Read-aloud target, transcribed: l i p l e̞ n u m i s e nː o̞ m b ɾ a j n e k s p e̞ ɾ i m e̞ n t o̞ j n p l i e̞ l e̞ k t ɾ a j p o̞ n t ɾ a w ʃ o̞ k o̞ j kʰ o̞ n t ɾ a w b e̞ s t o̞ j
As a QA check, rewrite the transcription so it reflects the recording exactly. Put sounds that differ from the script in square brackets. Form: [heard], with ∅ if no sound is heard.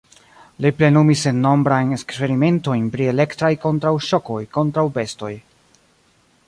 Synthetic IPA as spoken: l i p l e̞ n u m i s e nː o̞ m b ɾ a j n e k s p e̞ ɾ i m e̞ n t o̞ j n p [ɾ] i e̞ l e̞ k t ɾ a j [k] o̞ n t ɾ a w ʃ o̞ k o̞ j [k] o̞ n t ɾ a w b e̞ s t o̞ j